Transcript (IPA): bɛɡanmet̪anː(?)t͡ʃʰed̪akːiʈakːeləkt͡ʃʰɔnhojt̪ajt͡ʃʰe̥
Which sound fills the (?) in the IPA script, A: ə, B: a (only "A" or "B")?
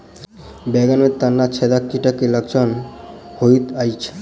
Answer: B